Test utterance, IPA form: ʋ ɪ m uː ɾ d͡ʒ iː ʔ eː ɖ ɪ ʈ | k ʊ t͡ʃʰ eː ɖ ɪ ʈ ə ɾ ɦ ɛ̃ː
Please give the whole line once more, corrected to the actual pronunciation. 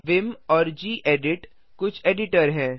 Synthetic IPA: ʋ ɪ m ɔː ɾ d͡ʒ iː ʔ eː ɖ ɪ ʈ | k ʊ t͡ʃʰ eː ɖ ɪ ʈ ə ɾ ɦ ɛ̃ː